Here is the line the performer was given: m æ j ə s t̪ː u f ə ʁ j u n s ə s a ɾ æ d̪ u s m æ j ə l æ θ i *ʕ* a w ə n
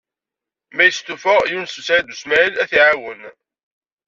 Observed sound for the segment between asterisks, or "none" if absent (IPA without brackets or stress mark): ʕ